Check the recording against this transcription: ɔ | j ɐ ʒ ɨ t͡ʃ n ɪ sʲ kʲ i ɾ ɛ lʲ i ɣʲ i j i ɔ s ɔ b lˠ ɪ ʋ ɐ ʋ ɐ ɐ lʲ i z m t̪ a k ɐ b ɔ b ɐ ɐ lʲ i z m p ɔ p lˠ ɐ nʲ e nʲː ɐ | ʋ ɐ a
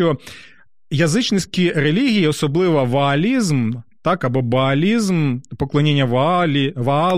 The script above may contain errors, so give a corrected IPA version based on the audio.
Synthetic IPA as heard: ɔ | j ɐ z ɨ t͡ʃ n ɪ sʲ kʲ i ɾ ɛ lʲ i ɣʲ i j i ɔ s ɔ b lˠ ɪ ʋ ɐ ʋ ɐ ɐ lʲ i z m t̪ a k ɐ b ɔ b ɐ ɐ lʲ i z m p ɔ k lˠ ɐ nʲ e nʲː ɐ | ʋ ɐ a